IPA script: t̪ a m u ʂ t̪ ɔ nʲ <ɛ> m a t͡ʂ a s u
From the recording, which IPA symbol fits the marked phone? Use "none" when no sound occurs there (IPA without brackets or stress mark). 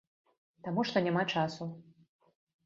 a